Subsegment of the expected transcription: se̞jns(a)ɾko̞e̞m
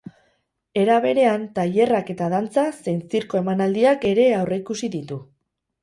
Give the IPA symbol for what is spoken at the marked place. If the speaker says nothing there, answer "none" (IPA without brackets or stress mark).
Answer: i